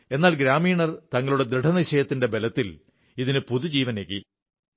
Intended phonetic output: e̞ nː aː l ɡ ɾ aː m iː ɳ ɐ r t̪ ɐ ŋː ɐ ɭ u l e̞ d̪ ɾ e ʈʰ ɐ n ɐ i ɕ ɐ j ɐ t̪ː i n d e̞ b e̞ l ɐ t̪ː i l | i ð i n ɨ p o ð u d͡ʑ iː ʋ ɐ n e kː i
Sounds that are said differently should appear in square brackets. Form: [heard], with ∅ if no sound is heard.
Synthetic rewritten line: e̞ nː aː l ɡ ɾ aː m iː ɳ ɐ r t̪ ɐ ŋː ɐ ɭ u [ɽ] e̞ d̪ ɾ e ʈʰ ɐ n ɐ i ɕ ɐ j ɐ t̪ː i n d e̞ b e̞ l ɐ t̪ː i l | i ð i n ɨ p [u] ð u d͡ʑ iː ʋ ɐ n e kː i